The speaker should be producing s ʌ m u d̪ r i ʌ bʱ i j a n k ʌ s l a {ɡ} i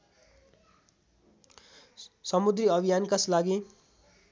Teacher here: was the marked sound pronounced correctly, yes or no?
yes